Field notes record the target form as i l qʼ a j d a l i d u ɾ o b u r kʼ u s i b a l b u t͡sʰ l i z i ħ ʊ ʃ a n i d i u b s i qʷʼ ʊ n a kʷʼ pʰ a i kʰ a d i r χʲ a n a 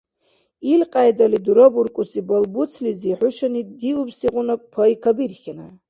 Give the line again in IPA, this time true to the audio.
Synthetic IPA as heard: i l qʼ a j d a l i d u ɾ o b u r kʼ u s i b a l b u t͡sʰ l i z i ħ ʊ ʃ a n i d i u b s i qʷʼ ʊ n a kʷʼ pʰ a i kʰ a b i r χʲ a n a